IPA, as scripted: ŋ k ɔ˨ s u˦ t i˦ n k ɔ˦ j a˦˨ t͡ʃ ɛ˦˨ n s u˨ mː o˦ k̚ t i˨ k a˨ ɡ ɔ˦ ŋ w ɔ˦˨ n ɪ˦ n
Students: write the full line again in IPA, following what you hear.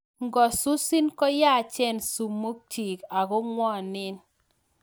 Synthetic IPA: ŋ ɡ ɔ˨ s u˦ s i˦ n k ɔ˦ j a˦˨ t͡ʃ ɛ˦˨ n s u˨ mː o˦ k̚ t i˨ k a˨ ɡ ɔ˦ ŋ w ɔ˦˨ n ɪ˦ n